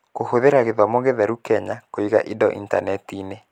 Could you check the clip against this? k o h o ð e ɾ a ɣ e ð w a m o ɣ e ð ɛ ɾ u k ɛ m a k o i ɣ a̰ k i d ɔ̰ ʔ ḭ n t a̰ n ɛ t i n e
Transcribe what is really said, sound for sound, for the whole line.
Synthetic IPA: k o h o ð e ɾ a ɣ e ð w a m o ɣ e ð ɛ ɾ u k ɛ ɲ a k o i ɣ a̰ ʔ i d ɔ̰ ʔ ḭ n t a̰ n ɛ t i n e